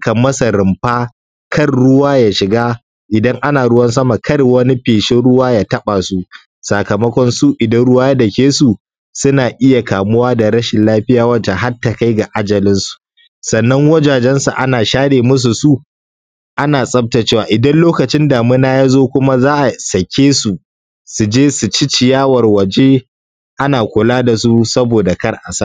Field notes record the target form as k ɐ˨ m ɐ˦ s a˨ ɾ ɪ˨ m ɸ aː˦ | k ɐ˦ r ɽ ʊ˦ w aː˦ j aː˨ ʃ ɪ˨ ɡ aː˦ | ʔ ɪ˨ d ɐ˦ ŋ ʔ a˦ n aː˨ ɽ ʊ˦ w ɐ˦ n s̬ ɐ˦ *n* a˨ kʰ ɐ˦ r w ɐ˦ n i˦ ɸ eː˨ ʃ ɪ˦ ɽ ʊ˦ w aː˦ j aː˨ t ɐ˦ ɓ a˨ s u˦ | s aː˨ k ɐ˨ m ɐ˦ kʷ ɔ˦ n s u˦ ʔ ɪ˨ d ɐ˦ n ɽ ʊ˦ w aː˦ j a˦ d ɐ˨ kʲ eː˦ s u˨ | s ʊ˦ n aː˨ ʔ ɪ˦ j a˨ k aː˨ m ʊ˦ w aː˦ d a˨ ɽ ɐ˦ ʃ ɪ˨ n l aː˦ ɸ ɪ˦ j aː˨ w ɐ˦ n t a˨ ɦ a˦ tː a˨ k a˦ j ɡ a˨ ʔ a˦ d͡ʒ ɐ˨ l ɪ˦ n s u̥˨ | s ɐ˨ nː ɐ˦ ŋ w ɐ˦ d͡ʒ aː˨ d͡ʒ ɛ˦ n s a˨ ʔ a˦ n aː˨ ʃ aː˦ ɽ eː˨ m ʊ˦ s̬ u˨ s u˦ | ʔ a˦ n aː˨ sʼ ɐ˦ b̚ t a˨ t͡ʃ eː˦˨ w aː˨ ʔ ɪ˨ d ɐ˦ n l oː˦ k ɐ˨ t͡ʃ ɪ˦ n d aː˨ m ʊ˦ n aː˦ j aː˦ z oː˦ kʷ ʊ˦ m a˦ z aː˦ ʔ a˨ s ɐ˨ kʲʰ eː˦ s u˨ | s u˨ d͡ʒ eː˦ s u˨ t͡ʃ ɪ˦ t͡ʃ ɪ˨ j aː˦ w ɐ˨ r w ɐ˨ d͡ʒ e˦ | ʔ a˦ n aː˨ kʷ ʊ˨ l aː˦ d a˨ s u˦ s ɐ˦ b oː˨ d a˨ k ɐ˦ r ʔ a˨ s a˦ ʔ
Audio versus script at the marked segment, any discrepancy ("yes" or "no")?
yes